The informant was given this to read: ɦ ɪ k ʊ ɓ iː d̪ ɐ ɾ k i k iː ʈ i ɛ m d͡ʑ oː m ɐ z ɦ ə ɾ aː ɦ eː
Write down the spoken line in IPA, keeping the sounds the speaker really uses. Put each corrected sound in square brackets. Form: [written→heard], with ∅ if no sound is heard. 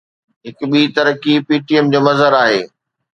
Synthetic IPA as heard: ɦ ɪ k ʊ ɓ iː [d̪→t̪] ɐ ɾ k i [k→p] iː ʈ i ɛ m d͡ʑ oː m ɐ z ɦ ə ɾ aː ɦ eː